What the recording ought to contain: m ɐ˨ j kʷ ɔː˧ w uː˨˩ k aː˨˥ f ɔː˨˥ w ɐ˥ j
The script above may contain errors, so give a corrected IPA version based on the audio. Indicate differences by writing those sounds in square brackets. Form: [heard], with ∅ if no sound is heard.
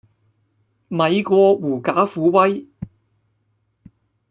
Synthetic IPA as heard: m ɐ˨ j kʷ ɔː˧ w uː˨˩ k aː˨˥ f [uː˨˥] w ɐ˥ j

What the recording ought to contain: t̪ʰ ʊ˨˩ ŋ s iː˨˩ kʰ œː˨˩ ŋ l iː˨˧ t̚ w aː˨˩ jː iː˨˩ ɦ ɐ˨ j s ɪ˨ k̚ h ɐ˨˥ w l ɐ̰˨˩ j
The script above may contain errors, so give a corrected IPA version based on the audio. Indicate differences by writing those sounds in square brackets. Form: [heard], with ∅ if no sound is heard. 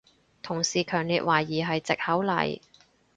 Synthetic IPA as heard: t̪ʰ ʊ˨˩ ŋ s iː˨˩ kʰ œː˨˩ ŋ l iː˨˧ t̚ w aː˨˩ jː iː˨˩ ɦ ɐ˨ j [t͡s] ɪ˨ k̚ h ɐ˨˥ w l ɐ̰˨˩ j

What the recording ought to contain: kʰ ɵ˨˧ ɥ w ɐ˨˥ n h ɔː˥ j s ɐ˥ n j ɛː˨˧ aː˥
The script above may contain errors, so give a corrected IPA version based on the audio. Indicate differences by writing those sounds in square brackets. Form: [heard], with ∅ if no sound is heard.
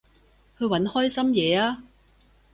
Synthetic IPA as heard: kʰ ɵ˨˧ ɥ w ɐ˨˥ n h ɔː˥ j s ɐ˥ [m] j ɛː˨˧ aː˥

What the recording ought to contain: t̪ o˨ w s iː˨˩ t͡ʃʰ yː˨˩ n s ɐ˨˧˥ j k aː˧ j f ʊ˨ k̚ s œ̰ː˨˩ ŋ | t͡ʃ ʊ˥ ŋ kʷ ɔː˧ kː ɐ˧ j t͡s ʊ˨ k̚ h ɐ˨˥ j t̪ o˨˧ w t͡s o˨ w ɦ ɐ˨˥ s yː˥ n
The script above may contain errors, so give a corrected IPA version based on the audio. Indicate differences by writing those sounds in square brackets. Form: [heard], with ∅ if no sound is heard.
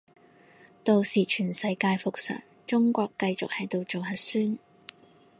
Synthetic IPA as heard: t̪ o˨ w s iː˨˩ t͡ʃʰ yː˨˩ n s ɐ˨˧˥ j k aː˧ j f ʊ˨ k̚ s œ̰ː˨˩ ŋ | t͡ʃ ʊ˥ ŋ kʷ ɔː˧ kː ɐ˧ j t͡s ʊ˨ k̚ h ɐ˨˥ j t̪ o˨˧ w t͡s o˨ w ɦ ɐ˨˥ s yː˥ n

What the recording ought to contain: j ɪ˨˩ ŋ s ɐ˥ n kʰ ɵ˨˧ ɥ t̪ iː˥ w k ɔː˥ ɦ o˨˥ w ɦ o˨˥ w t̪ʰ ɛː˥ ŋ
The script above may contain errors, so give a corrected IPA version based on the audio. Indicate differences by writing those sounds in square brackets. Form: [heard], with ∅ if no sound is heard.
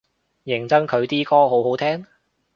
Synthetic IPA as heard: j ɪ˨˩ ŋ [t͡s] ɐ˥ [ŋ] kʰ ɵ˨˧ ɥ t̪ iː˥ [∅] k ɔː˥ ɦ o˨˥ w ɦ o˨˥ w t̪ʰ ɛː˥ ŋ

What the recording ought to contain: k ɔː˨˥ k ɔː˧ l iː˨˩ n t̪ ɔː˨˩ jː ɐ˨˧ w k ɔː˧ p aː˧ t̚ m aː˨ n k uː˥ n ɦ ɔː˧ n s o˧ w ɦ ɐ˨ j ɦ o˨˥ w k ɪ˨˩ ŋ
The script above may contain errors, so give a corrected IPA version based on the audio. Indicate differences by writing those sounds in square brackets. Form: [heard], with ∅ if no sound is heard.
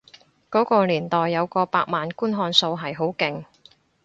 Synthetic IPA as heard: k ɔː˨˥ k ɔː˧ l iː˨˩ n t̪ ɔː˨˩ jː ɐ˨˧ w k ɔː˧ p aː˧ [k̚] m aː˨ n k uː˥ n ɦ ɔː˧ n s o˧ w ɦ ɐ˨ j ɦ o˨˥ w k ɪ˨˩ ŋ

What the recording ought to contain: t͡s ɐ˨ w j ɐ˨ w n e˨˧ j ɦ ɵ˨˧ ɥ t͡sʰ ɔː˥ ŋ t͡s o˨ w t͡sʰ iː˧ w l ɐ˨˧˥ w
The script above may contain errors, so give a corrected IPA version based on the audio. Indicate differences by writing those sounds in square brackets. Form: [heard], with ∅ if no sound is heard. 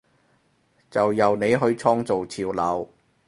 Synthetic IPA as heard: t͡s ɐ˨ w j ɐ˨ w n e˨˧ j ɦ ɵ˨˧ ɥ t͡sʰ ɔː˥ ŋ t͡s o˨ w t͡sʰ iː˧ w l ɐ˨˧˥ w

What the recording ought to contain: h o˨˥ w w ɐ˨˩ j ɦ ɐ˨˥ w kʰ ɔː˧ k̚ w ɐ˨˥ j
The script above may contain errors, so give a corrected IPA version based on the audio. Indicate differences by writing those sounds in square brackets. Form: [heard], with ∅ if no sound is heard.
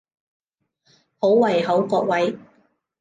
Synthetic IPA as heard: h o˨˥ w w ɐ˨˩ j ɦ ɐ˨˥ w [k] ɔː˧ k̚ w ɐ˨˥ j

